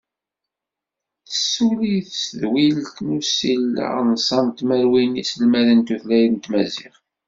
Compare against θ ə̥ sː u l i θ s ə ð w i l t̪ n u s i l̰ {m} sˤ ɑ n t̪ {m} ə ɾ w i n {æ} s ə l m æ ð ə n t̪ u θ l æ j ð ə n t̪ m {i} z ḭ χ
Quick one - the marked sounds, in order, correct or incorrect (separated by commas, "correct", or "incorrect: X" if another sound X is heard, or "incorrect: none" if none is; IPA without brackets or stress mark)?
incorrect: n, correct, incorrect: i, incorrect: æ